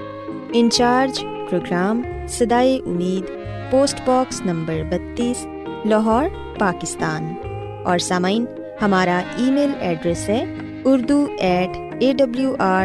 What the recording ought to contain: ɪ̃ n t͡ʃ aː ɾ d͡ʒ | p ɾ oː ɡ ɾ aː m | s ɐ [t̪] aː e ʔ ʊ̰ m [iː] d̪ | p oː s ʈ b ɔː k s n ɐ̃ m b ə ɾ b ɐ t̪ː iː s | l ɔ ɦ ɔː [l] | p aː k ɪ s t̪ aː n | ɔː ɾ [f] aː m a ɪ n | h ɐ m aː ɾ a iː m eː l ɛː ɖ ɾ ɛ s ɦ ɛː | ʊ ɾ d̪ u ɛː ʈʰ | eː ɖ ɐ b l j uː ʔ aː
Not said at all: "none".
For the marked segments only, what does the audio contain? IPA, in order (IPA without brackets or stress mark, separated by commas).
d̪, iː, ɾ, s